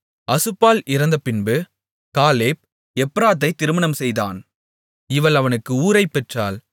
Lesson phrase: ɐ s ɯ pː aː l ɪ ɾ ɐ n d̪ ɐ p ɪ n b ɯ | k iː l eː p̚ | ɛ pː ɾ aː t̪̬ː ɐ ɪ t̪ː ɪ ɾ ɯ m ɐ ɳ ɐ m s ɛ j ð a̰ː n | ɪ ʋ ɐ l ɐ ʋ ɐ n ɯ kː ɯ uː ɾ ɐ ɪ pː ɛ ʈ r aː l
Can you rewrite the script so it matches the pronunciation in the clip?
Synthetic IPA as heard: ɐ s ɯ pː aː l ɪ ɾ ɐ n d̪ ɐ p ɪ n b ɯ | k aː l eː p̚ | ɛ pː ɾ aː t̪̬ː ɐ ɪ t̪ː ɪ ɾ ɯ m ɐ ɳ ɐ m s ɛ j ð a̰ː n | ɪ ʋ ɐ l ɐ ʋ ɐ n ɯ kː ɯ uː ɾ ɐ ɪ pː ɛ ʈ r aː l

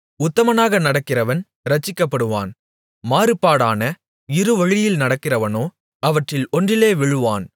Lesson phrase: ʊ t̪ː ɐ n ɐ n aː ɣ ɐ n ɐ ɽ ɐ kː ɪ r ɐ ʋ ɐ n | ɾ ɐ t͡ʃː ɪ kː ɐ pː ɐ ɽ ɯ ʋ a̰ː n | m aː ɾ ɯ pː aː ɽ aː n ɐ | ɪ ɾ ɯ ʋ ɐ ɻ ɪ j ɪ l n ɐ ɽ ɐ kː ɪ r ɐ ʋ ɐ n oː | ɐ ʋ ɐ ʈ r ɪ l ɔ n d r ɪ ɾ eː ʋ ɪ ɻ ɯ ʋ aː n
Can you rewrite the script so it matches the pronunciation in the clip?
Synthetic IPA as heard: ʊ t̪ː ɐ m ɐ n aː ɣ ɐ n ɐ ɽ ɐ kː ɪ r ɐ ʋ ɐ n | ɾ ɐ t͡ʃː ɪ kː ɐ pː ɐ ɽ ɯ ʋ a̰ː n | m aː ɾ ɯ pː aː ɽ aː n ɐ | ɪ ɾ ɯ ʋ ɐ ɻ ɪ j ɪ l n ɐ ɽ ɐ kː ɪ r ɐ ʋ ɐ n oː | ɐ ʋ ɐ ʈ r ɪ l ɔ n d r ɪ l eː ʋ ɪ ɻ ɯ ʋ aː n

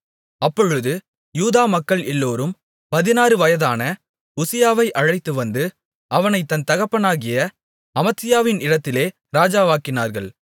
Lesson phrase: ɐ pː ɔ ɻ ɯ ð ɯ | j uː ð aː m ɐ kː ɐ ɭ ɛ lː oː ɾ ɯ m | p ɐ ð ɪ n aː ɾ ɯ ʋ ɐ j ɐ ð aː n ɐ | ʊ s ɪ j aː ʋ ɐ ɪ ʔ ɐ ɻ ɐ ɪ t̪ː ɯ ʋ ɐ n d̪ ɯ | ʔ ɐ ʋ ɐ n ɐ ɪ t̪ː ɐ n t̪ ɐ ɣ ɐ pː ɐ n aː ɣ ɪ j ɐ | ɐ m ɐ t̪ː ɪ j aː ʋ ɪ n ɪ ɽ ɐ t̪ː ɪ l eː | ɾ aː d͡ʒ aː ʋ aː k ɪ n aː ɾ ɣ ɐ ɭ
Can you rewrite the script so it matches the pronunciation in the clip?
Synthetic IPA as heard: ɐ pː ɔ ɻ ɯ ð ɯ | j uː ð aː m ɐ kː ɐ ɭ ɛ lː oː ɾ ɯ m | p ɐ ð ɪ n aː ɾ ɯ ʋ ɐ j ɐ ð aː n ɐ | ʊ s ɪ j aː ʋ ɐ ɪ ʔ ɐ ɻ ɐ ɪ t̪ː ɯ ʋ ɐ n d̪ ɯ | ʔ ɐ ʋ ɐ n ɐ ɪ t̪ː ɐ n t̪ ɐ ɣ ɐ pː ɐ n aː ɣ ɪ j ɐ | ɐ m ɐ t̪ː ɪ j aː ʋ ɪ n ɪ ɽ ɐ t̪ː ɪ l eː | ɾ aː d͡ʒ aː ʋ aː k ɪ n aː ɾ ɣ ɐ ɭ

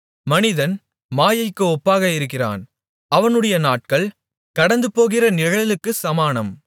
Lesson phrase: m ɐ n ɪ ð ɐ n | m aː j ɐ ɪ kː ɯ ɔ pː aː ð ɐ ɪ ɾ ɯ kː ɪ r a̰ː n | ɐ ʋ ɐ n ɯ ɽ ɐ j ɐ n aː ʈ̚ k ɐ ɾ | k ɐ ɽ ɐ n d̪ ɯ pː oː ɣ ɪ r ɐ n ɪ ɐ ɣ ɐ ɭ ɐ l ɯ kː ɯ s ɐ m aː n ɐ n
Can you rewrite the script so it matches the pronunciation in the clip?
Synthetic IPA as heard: m ɐ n ɪ ð ɐ n | m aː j ɐ ɪ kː ɯ ɔ pː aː ɣ ɐ ɪ ɾ ɯ kː ɪ r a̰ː n | ɐ ʋ ɐ n ɯ ɽ ɐ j ɐ n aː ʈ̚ k ɐ ɭ | k ɐ ɽ ɐ n d̪ ɯ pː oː ɣ ɪ r ɐ n ɪ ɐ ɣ ɐ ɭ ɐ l ɯ kː ɯ s ɐ m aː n ɐ m

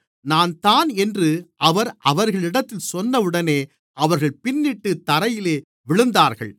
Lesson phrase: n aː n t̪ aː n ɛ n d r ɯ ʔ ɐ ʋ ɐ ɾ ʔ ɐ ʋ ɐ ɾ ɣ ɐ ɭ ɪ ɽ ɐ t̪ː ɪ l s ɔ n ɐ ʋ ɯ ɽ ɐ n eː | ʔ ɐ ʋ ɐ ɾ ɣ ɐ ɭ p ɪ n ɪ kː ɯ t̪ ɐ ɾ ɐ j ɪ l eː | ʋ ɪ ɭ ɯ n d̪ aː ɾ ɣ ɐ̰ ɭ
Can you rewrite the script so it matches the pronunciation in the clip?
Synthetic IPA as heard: n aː n t̪ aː n ɛ n d r ɯ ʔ ɐ ʋ ɐ ɾ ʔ ɐ ʋ ɐ ɾ ɣ ɐ ɭ ɪ ɽ ɐ t̪ː ɪ l s ɔ nː ɐ ʋ ɯ ɽ ɐ n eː | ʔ ɐ ʋ ɐ ɾ ɣ ɐ ɭ p ɪ nː ɪ ʈː ɯ t̪ ɐ ɾ ɐ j ɪ l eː | ʋ ɪ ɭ ɯ n d̪ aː ɾ ɣ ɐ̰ ɭ

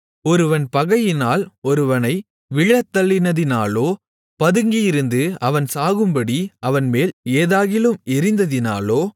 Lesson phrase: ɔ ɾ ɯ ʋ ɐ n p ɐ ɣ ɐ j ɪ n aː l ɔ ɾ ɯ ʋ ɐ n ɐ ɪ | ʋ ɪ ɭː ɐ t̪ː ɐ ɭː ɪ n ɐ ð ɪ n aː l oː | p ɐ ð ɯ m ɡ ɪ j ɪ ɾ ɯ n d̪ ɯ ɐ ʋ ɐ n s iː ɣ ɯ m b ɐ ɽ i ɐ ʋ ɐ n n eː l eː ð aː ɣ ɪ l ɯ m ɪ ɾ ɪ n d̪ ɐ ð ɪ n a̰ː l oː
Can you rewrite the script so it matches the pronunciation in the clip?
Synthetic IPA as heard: ɔ ɾ ɯ ʋ ɐ n p ɐ ɣ ɐ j ɪ n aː l ɔ ɾ ɯ ʋ ɐ n ɐ ɪ | ʋ ɪ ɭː ɐ t̪ː ɐ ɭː ɪ n ɐ ð ɪ n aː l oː | p ɐ ð ɯ ŋ ɡ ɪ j ɪ ɾ ɯ n d̪ ɯ ɐ ʋ ɐ n s aː ɣ ɯ m b ɐ ɽ i ɐ ʋ ɐ n m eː l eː ð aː ɣ ɪ l ɯ m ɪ ɾ ɪ n d̪ ɐ ð ɪ n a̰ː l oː

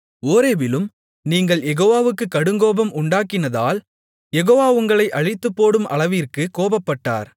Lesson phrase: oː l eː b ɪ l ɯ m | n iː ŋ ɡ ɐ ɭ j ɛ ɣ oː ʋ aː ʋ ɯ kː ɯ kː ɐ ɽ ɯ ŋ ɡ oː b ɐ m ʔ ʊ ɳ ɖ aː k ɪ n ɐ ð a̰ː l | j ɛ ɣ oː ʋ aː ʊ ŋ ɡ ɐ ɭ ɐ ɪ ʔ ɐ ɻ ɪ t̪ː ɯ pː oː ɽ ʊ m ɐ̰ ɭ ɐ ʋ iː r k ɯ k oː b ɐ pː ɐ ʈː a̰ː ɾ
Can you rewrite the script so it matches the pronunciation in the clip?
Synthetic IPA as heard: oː ɾ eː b ɪ l ɯ m | n iː ŋ ɡ ɐ ɭ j ɛ ɣ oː ʋ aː ʋ ɯ kː ɯ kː ɐ ɽ ɯ ŋ ɡ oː b ɐ m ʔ ʊ ɳ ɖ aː k ɪ n ɐ ð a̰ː l | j ɛ ɣ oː ʋ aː ʊ ŋ ɡ ɐ ɭ ɐ ɪ ʔ ɐ ɻ ɪ t̪ː ɯ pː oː ɽ ɯ m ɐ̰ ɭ ɐ ʋ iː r k ɯ k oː b ɐ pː ɐ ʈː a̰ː ɾ

